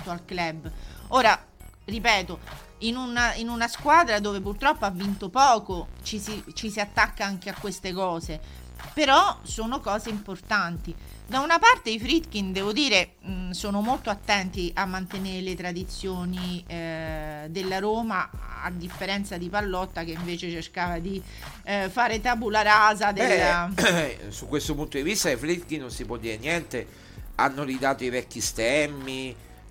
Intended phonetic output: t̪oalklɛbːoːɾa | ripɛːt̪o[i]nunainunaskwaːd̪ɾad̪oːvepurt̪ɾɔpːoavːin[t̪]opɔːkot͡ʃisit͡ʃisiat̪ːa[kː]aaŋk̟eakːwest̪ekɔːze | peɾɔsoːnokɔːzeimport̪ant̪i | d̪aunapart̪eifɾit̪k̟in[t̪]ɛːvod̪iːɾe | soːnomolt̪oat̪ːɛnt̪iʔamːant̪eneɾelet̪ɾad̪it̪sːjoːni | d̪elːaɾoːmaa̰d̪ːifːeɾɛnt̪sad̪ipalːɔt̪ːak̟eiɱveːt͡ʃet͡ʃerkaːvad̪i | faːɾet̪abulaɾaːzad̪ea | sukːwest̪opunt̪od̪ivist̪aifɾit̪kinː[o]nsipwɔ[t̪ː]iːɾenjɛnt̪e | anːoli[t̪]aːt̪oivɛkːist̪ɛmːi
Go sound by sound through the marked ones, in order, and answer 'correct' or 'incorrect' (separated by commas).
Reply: correct, correct, correct, incorrect, correct, incorrect, incorrect